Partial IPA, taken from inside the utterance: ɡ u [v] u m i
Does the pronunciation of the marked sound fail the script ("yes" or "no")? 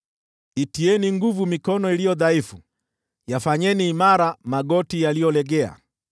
no